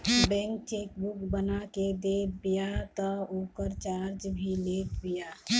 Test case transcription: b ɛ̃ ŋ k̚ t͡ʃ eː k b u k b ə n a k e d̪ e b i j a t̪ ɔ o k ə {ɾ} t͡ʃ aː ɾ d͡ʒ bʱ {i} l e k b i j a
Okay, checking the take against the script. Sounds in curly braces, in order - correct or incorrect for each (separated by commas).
correct, correct